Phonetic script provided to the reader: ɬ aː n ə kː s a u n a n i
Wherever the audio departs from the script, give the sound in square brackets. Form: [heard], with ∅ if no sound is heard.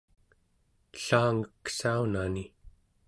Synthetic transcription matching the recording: ɬ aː [ŋ] ə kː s a u n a n i